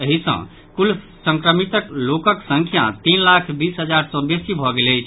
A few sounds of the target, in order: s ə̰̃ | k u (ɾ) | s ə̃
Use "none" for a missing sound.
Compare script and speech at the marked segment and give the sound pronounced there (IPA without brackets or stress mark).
l